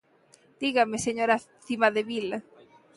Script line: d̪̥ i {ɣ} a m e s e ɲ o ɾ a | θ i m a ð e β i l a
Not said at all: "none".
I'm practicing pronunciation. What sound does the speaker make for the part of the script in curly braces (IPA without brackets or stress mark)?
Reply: ɣ